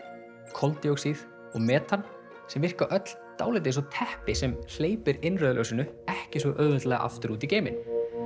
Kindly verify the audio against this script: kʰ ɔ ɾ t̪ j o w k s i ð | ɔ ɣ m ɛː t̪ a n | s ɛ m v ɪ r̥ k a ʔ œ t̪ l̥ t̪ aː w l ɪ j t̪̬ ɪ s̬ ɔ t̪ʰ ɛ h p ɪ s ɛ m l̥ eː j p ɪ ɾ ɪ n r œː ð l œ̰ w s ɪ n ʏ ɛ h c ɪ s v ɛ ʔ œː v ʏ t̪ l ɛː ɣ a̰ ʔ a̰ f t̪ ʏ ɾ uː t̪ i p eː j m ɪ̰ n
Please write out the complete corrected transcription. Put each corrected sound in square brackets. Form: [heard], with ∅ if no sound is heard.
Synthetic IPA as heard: kʰ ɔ [l] t̪ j o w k s i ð | ɔ ɣ m ɛː t̪ a n | s ɛ m v ɪ r̥ k a ʔ œ t̪ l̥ t̪ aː w l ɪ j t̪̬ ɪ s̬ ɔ t̪ʰ ɛ h p ɪ s ɛ m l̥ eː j p ɪ ɾ ɪ n r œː ð l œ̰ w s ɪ n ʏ ɛ h c ɪ s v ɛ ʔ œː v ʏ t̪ l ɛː ɣ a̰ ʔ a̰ f t̪ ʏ ɾ uː t̪ i [c] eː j m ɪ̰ n